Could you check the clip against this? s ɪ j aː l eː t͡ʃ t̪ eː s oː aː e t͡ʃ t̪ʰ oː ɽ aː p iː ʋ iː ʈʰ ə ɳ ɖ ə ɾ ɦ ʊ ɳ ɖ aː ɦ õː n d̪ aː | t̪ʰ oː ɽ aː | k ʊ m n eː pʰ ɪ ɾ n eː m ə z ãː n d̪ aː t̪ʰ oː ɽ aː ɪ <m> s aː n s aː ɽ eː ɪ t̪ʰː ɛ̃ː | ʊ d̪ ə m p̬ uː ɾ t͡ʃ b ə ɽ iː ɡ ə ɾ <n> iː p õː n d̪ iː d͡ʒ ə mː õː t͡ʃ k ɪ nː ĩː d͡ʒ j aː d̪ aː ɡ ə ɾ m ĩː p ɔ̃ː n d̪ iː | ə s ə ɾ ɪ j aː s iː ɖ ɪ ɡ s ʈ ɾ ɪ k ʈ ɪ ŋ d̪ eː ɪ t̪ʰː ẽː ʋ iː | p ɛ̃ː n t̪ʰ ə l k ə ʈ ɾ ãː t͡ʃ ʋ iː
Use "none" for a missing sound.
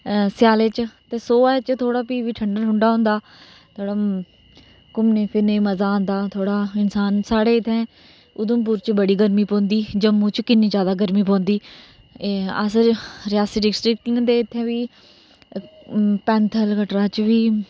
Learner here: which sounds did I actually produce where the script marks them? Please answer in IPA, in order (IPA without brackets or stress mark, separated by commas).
n, m